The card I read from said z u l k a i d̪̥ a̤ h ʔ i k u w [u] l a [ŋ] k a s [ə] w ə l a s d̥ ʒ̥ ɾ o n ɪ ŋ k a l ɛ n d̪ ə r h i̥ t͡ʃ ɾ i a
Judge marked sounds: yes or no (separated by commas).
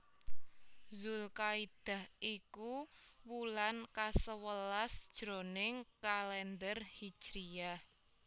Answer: yes, no, yes